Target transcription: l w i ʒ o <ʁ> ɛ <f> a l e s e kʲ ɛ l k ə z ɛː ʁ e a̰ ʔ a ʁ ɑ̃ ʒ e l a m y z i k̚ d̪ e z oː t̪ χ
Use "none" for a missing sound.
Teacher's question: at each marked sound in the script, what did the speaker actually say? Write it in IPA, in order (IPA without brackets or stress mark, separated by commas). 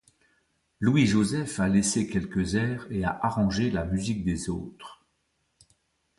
z, f